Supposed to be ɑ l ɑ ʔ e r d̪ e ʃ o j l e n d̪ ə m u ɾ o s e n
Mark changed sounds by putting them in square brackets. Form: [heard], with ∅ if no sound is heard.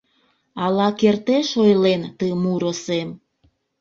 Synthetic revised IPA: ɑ l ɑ [k] e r [t̪] e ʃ o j l e n [t̪] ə m u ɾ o s e [m]

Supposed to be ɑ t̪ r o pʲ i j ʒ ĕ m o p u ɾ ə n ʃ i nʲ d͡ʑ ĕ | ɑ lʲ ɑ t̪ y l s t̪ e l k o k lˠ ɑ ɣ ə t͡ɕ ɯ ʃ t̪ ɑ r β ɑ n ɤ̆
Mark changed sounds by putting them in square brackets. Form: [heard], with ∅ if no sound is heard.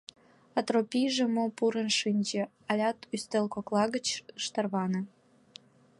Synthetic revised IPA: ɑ t̪ r o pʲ i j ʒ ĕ m o p u ɾ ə n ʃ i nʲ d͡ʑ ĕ | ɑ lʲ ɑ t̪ y [∅] s t̪ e l k o k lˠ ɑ ɣ ə t͡ɕ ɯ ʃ t̪ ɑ r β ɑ n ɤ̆

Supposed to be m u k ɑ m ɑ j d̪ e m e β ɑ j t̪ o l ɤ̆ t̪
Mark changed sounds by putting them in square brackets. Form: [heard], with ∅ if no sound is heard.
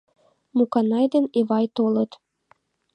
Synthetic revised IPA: m u k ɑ [n] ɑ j d̪ e [n] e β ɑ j t̪ o l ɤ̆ t̪

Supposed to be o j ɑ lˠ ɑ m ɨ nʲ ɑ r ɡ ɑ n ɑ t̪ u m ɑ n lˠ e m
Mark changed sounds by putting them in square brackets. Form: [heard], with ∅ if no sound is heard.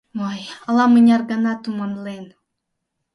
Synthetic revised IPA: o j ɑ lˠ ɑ m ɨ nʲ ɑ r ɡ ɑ n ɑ t̪ u m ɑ n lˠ e [n]

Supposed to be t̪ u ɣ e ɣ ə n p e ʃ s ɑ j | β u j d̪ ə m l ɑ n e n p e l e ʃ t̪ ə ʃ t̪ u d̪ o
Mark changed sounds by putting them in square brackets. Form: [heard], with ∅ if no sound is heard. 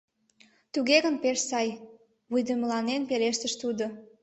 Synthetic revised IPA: t̪ u ɣ e ɣ ə n p e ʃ s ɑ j | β u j d̪ ə m l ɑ n e n p e l e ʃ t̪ ə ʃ t̪ u d̪ o

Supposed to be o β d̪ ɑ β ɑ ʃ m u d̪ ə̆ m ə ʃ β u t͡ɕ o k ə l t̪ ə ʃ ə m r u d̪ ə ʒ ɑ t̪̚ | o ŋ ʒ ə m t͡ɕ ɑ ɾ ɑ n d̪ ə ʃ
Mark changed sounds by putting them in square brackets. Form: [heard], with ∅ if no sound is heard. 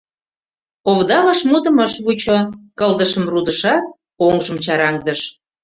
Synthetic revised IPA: o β d̪ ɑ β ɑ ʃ m u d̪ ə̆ m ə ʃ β u t͡ɕ o k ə l [d̪] ə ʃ ə m r u d̪ ə [ʃ] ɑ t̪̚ | o ŋ ʒ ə m t͡ɕ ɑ ɾ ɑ [ŋ] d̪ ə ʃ

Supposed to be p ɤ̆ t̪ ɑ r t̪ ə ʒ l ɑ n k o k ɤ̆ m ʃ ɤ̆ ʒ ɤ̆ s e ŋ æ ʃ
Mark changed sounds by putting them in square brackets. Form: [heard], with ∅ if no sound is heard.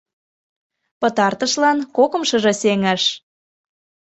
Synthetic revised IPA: p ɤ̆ t̪ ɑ r t̪ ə [ʃ] l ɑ n k o k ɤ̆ m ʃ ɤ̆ ʒ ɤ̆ s e ŋ æ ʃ

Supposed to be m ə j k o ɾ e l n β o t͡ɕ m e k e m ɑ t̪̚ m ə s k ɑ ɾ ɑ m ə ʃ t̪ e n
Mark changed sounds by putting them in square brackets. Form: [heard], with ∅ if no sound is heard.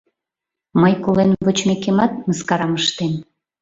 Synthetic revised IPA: m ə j k o [l] e [∅] n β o t͡ɕ m e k e m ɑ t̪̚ m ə s k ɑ ɾ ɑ m ə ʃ t̪ e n

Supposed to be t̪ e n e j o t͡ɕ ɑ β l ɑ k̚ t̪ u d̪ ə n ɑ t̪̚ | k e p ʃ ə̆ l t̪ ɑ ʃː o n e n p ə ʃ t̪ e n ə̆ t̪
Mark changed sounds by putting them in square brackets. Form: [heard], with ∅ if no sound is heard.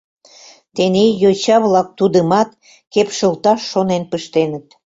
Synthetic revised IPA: t̪ e n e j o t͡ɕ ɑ β l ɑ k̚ t̪ u d̪ ə [m] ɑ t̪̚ | k e p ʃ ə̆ l t̪ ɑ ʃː o n e n p ə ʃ t̪ e n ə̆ t̪

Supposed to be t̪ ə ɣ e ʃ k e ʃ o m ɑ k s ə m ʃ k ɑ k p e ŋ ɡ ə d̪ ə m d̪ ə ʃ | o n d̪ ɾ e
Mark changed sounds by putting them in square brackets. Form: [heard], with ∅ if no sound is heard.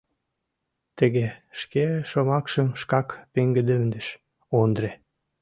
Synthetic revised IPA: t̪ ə ɣ e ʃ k e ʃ o m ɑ k [ʃ] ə m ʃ k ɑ k p e ŋ ɡ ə d̪ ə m d̪ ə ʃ | o n d̪ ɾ e

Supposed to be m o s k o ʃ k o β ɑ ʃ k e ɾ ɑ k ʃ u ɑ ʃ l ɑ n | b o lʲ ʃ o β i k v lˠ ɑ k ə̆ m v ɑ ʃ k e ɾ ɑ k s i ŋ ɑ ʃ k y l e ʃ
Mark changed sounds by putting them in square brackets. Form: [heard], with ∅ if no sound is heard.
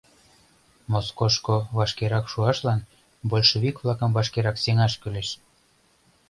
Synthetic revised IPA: m o s k o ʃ k o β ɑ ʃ k e ɾ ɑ k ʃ u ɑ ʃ l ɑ n | b o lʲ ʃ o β i k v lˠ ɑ k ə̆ m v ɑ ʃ k e ɾ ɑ k s [e] ŋ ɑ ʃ k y l e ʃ

